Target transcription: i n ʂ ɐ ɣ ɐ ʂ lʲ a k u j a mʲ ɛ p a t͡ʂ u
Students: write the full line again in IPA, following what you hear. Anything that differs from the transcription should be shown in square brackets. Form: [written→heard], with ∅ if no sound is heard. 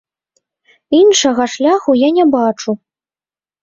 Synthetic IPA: i n ʂ ɐ ɣ ɐ ʂ lʲ a [k→x] u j a [mʲ→nʲ] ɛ [p→b] a t͡ʂ u